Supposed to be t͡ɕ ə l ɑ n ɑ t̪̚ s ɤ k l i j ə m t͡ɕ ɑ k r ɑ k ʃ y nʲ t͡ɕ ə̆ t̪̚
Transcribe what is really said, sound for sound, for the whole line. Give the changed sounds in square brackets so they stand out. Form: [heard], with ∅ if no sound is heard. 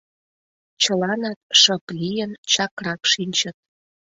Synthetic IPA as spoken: t͡ɕ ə l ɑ n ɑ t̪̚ [ʃ] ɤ [p] l i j ə [n] t͡ɕ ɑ k r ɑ k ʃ [i] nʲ t͡ɕ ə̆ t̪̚